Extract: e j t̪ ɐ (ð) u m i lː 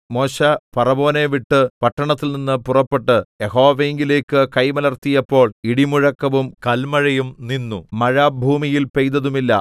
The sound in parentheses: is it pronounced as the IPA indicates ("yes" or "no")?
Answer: yes